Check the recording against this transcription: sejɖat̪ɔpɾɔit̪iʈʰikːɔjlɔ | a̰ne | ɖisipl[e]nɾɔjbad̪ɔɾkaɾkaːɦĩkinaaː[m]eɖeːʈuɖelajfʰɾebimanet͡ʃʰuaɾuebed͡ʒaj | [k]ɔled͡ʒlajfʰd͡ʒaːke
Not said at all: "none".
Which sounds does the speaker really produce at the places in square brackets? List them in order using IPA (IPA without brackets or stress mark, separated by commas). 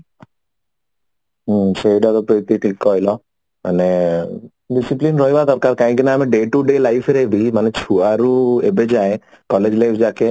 i, m, k